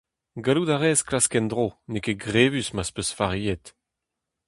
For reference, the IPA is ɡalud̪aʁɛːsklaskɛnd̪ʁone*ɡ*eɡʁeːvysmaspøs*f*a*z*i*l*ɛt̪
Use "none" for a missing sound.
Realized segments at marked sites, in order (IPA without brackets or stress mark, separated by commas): k, f, ʁ, none